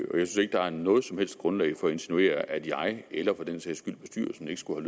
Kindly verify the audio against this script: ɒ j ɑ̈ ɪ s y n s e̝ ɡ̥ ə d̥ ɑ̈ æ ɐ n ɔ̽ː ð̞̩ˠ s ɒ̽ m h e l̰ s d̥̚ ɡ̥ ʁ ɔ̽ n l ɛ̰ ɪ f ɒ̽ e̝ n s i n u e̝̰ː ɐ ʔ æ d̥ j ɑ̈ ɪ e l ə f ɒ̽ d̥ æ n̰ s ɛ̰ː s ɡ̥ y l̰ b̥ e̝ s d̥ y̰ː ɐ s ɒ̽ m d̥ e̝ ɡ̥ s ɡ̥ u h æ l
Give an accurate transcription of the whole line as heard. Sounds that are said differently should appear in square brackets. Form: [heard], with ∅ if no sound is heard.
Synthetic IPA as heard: ɒ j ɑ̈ ɪ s y n s e̝ ɡ̥ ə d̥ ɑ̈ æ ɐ n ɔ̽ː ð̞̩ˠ s ɒ̽ m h e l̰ s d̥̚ ɡ̥ ʁ ɔ̽ n l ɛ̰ ɪ f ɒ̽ e̝ n s i n u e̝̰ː ɐ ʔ æ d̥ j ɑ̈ ɪ e l [ɐ] f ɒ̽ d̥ [e] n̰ s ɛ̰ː s ɡ̥ y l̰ b̥ e̝ s d̥ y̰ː ɐ s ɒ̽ m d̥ e̝ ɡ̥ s ɡ̥ u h æ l

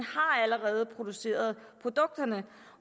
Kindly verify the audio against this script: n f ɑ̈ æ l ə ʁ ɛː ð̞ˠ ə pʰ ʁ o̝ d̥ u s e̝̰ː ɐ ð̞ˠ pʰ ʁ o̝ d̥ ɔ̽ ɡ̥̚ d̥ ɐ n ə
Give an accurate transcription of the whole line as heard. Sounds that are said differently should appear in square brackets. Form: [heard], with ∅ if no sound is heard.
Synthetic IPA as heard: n [h] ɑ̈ æ l ə ʁ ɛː ð̞ˠ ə pʰ ʁ o̝ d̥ u s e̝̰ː ɐ ð̞ˠ pʰ ʁ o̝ d̥ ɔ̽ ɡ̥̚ d̥ ɐ n ə

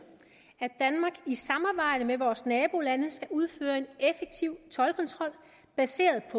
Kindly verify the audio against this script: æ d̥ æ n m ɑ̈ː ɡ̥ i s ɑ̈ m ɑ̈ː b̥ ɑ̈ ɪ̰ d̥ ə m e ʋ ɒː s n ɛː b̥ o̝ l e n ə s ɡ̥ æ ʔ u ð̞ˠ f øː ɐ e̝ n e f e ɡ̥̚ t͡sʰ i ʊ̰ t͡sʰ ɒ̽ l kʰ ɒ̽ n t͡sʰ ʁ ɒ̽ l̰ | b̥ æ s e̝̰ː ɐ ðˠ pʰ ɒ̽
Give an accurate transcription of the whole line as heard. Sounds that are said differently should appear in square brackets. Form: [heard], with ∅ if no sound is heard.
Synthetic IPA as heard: æ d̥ æ n m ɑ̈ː ɡ̥ i s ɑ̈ m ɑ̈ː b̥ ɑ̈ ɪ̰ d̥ ə m e ʋ ɒː s n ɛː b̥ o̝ l [æ] n ə s ɡ̥ æ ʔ u ð̞ˠ f øː ɐ e̝ n e f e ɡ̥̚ t͡sʰ i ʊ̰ t͡sʰ ɒ̽ l kʰ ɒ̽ n t͡sʰ ʁ ɒ̽ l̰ | b̥ æ s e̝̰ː ɐ ðˠ pʰ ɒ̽

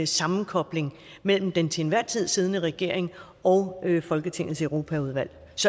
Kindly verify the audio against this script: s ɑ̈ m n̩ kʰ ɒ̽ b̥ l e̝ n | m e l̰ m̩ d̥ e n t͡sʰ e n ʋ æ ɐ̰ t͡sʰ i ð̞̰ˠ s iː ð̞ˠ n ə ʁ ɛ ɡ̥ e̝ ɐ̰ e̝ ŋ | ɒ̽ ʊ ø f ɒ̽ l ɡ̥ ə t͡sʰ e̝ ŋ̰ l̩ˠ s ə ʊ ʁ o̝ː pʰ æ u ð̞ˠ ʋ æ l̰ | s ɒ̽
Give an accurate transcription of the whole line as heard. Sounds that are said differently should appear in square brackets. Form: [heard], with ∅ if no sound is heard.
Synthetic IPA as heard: s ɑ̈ m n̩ kʰ ɒ̽ b̥ l e̝ [ŋ] | m e l̰ m̩ d̥ e n t͡sʰ e n ʋ æ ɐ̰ t͡sʰ i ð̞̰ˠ s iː ð̞ˠ n ə ʁ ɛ ɡ̥ e̝ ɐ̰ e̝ ŋ | ɒ̽ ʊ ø f ɒ̽ l ɡ̥ ə t͡sʰ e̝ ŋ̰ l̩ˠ s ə ʊ ʁ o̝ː pʰ æ u ð̞ˠ ʋ æ l̰ | s ɒ̽

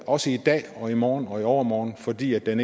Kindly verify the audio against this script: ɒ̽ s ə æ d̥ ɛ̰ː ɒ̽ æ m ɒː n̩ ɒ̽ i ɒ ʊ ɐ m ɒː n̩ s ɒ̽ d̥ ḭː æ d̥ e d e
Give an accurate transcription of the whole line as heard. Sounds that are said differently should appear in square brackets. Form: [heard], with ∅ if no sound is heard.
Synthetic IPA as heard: ɒ̽ s ə [i] d̥ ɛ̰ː ɒ̽ [i] m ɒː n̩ ɒ̽ i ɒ ʊ ɐ m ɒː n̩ [f] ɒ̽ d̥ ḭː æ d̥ e [n] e

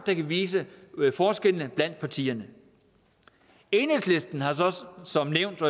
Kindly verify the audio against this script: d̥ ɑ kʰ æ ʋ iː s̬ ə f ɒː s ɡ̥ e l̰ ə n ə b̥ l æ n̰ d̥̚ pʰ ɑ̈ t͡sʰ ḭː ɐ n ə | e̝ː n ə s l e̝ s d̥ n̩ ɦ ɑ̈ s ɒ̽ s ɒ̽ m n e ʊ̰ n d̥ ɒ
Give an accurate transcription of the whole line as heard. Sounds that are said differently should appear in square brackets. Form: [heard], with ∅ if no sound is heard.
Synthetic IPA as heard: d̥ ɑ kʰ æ ʋ iː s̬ ə f ɒː s ɡ̥ e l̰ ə n ə b̥ l æ n̰ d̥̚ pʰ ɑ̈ t͡sʰ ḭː ɐ n ə | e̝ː n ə s l e̝ s d̥ n̩ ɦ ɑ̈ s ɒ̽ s ɒ̽ m n e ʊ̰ n d̥ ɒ

